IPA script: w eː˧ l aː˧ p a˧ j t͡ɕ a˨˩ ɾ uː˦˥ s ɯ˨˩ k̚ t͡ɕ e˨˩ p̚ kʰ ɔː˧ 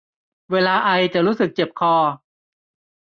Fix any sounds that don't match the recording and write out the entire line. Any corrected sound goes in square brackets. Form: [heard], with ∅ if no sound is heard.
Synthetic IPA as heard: w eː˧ l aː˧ [ʔ] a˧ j t͡ɕ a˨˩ ɾ uː˦˥ s ɯ˨˩ k̚ t͡ɕ e˨˩ p̚ kʰ ɔː˧